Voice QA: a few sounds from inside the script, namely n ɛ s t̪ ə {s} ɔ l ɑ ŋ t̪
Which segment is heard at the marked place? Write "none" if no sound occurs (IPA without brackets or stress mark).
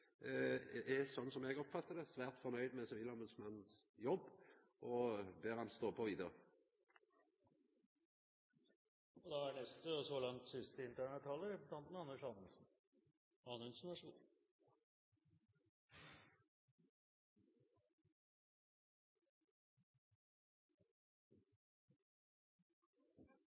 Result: s